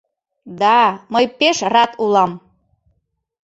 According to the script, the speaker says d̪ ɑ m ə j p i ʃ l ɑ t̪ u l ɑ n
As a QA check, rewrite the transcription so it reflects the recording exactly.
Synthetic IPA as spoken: d̪ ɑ m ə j p e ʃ r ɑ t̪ u l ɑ m